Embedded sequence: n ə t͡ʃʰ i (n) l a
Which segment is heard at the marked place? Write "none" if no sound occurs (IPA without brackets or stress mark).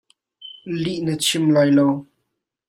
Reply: m